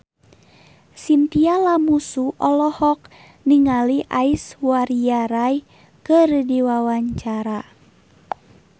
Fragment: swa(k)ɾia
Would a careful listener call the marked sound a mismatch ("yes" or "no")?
yes